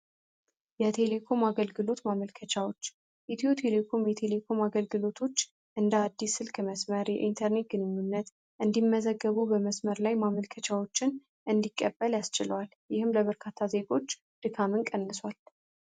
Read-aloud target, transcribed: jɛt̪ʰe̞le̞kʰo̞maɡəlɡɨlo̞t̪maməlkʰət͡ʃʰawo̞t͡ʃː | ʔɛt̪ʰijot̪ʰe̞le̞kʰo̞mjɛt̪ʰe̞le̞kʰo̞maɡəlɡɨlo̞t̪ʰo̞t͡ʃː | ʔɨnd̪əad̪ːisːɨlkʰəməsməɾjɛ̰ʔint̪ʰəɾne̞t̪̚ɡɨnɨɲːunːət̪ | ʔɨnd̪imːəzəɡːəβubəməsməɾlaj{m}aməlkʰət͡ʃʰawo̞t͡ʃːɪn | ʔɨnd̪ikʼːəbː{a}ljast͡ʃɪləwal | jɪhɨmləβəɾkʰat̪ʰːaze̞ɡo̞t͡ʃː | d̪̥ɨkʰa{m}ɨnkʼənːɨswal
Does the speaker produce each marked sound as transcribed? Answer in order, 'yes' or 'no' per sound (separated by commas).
yes, no, yes